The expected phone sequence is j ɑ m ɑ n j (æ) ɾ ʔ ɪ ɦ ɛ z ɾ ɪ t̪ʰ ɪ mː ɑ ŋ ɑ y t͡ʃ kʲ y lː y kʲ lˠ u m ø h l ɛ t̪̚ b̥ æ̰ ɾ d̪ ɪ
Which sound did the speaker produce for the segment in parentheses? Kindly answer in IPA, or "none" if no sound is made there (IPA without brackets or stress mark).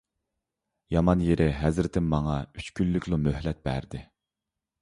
e